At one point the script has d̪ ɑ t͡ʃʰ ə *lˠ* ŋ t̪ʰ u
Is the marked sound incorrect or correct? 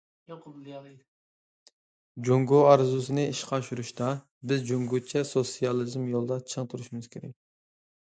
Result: incorrect